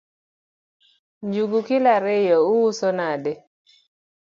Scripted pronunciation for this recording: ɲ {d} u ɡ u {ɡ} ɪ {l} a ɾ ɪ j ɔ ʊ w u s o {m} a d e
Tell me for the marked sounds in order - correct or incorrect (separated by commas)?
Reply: incorrect, incorrect, correct, incorrect